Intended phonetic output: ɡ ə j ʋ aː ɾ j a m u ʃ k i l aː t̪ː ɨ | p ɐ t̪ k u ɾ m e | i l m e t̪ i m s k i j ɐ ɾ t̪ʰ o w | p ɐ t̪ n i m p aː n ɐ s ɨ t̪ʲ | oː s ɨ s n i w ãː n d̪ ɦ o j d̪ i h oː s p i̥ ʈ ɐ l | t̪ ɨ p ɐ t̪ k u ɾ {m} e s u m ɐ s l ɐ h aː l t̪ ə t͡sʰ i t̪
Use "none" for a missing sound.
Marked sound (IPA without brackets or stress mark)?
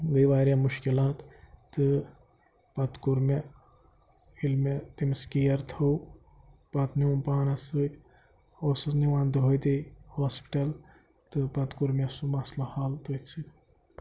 m